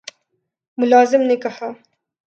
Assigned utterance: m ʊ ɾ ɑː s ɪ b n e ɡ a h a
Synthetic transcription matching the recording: m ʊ l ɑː z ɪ m n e k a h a